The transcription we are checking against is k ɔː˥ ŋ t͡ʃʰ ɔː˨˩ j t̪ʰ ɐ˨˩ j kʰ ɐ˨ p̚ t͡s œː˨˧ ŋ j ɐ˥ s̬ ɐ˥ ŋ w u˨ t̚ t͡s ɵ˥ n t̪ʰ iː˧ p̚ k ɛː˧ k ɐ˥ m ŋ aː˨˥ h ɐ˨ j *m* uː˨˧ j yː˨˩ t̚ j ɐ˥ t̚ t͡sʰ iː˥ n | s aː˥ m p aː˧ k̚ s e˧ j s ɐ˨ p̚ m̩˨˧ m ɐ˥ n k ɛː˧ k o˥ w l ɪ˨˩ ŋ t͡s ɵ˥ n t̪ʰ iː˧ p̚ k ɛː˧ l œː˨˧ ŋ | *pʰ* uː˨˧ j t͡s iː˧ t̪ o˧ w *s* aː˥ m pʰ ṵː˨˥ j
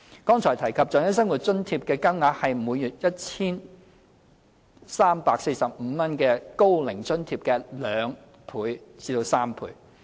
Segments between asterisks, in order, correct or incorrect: correct, correct, correct

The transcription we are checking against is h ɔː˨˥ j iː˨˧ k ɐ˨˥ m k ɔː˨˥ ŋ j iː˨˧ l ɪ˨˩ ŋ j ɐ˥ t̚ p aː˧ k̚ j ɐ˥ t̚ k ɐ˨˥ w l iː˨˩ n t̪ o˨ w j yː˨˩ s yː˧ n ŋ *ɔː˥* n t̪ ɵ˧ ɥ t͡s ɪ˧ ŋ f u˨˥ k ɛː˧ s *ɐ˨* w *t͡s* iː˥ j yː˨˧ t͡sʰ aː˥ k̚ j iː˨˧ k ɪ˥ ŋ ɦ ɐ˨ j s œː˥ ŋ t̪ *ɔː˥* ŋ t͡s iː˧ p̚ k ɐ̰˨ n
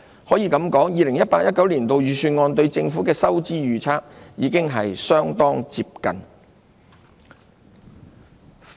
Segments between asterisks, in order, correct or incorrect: incorrect: ɔː˧, incorrect: ɐ˥, correct, correct

